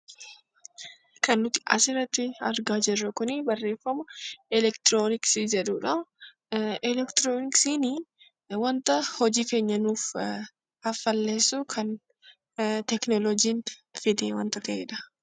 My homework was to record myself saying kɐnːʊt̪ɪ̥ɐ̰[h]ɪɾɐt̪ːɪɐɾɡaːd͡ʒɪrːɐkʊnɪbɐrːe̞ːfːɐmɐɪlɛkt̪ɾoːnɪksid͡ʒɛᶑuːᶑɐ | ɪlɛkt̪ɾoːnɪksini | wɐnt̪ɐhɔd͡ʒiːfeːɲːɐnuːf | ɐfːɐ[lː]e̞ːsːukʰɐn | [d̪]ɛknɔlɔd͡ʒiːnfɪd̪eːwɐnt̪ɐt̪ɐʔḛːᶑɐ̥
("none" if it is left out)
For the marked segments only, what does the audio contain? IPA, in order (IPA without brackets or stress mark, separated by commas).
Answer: s, lː, t̪